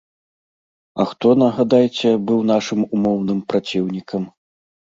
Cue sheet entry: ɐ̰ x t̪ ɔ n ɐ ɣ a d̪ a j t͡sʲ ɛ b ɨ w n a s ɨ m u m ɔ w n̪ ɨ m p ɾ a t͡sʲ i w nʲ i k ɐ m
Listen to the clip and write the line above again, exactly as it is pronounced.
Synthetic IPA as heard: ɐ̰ x t̪ ɔ n ɐ ɣ a d̪ a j t͡sʲ ɛ b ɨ w n a ʂ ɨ m u m ɔ w n̪ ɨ m p ɾ a t͡sʲ i w nʲ i k ɐ m